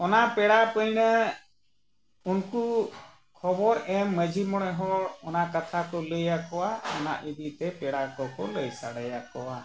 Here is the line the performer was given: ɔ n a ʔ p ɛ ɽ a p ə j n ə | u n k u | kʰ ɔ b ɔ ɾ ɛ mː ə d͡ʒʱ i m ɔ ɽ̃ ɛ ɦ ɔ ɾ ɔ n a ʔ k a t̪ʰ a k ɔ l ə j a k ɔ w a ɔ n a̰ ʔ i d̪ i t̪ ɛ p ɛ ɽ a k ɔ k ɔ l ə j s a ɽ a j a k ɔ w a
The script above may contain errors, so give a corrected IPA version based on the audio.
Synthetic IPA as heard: ɔ n a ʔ p ɛ ɽ a p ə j n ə | u n k u | kʰ ɔ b ɔ ɾ ɛ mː ə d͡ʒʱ i m ɔ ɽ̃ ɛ ɦ ɔ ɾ ɔ n a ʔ k a t̪ʰ a k ɔ l ə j a k ɔ w a ɔ n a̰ ʔ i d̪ i t̪ ɛ p ɛ ɽ a k ɔ k ɔ l ə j s a ɽ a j a k ɔ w a